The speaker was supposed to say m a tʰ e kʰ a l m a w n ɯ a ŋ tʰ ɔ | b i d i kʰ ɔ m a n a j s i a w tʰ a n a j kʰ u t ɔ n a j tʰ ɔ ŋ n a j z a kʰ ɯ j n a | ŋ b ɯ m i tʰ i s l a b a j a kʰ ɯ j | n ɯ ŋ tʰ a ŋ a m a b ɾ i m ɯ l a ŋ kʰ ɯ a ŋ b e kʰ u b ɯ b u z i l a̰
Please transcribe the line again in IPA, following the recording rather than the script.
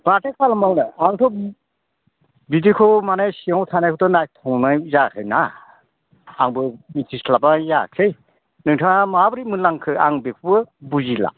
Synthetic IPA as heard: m a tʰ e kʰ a l m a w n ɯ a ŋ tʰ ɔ | b i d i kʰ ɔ m a n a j s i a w tʰ a n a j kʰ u t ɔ n a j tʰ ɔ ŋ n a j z a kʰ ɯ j n a | ŋ b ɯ m i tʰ i s l a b a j a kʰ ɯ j | n ɯ ŋ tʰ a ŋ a m a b ɾ i m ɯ l a ŋ kʰ ɯ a ŋ b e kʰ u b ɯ b u z i l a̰